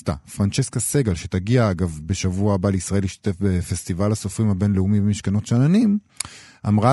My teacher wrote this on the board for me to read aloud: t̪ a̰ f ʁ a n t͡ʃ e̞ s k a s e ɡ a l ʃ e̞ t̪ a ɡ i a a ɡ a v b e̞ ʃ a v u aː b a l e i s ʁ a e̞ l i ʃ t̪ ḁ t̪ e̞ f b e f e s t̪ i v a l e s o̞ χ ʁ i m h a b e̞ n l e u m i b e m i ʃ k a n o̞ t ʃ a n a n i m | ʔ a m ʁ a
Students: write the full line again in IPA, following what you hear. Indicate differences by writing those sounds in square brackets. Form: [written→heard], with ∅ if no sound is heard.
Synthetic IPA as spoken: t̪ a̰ f ʁ a n t͡ʃ e̞ s k a s e ɡ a l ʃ e̞ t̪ a ɡ i a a ɡ a v b e̞ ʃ a v u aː b a l e i s ʁ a e̞ l i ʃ t̪ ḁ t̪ e̞ f b e f e s t̪ i v a l [e→a] s o̞ [χ→f] ʁ i m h a b e̞ n l e u m i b e m i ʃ k a n o̞ t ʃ a n a n i m | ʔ a m ʁ a